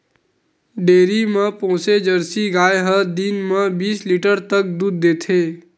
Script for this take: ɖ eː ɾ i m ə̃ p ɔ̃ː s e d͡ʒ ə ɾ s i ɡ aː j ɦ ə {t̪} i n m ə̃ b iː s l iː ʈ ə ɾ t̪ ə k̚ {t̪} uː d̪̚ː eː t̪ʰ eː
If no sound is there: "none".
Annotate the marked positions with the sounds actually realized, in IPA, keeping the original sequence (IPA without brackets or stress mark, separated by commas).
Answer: d̪, d̪